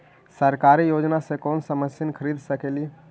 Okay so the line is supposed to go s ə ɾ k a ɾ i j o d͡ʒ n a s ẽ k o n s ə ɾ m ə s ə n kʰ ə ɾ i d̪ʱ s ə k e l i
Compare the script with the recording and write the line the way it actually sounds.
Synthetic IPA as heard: s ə ɾ k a ɾ i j o d͡ʒ n a s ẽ k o n s ə m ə s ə n kʰ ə ɾ i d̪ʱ s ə k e l i